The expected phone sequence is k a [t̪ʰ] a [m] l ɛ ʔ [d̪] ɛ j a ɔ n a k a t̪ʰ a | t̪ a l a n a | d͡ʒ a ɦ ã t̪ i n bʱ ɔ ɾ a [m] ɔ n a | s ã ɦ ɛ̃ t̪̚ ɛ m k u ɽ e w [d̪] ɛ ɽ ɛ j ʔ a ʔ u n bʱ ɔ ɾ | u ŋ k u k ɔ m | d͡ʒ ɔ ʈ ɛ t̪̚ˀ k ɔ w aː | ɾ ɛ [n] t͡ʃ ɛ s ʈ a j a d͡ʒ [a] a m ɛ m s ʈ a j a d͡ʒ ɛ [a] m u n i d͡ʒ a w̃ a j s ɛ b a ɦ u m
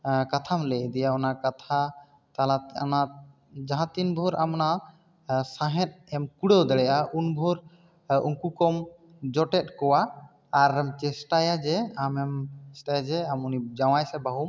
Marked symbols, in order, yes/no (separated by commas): yes, yes, yes, yes, yes, no, no, yes